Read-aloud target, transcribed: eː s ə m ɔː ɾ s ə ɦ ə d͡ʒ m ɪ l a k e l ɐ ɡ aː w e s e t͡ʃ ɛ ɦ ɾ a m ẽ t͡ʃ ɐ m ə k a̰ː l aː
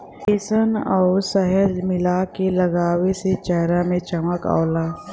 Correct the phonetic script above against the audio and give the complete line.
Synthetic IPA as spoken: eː s ə n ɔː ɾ s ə ɦ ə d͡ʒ m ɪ l a k e l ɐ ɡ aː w e s e t͡ʃ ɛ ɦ ɾ a m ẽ t͡ʃ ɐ m ə k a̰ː l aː